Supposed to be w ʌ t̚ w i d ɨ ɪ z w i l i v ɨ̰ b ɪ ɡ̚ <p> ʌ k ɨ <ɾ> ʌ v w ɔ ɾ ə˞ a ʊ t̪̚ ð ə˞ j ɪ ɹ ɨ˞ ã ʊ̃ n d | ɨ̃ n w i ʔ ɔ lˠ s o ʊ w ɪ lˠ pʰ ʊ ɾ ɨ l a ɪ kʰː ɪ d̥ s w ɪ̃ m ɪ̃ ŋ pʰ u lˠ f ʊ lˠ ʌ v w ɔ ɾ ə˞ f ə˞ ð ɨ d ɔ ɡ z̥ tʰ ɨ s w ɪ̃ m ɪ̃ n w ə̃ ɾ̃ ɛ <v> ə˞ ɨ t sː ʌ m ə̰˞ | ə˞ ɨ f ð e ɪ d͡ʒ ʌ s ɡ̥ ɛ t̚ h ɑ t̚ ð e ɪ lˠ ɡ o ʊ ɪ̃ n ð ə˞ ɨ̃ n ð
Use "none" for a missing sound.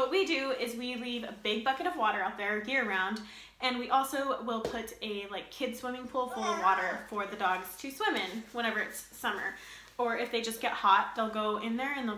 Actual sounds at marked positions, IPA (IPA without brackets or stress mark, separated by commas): b, ɾ, v